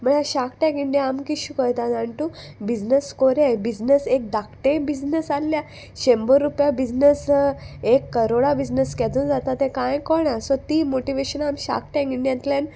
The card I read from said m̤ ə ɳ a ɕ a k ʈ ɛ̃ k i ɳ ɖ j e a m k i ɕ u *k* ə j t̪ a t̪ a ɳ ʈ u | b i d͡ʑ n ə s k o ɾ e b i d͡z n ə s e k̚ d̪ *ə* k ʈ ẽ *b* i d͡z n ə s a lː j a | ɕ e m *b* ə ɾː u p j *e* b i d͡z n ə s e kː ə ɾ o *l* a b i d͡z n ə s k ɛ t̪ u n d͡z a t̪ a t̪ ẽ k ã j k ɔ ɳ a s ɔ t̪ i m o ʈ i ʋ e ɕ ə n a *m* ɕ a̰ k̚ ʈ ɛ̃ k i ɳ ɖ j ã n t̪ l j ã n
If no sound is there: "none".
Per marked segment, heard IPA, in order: k, a, b, b, a, ɽ, m

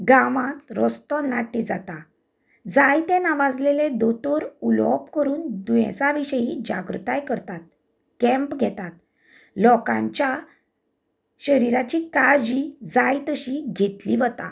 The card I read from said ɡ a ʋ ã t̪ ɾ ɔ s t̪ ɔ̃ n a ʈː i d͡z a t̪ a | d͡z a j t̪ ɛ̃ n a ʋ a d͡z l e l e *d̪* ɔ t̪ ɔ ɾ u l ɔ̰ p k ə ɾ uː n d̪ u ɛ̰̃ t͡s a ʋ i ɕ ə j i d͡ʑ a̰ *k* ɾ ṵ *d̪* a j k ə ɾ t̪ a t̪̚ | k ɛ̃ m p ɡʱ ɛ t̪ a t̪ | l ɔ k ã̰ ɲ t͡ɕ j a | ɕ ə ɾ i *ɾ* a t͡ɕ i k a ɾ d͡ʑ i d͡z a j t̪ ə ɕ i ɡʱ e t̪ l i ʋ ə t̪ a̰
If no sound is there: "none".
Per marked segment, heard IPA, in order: d̪, ɡ, t̪, ɾ

